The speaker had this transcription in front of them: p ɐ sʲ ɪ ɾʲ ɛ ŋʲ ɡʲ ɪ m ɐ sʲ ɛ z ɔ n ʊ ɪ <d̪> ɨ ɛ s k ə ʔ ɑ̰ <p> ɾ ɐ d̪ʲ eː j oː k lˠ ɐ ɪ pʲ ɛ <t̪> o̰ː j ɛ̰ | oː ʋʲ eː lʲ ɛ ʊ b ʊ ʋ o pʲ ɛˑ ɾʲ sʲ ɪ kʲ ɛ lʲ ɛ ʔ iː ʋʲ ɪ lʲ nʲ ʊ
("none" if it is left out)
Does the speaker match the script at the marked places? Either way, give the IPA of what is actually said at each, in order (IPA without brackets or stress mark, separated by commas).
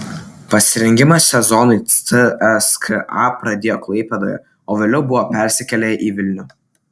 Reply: none, p, d̪